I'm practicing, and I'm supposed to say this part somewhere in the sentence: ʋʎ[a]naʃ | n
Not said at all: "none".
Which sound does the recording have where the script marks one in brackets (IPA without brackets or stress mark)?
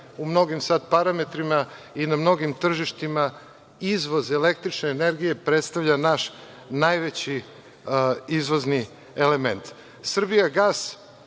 a